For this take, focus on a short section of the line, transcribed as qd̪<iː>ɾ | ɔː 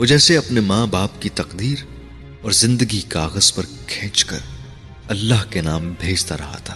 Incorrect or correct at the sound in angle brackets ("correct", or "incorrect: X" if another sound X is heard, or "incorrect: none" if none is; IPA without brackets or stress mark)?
correct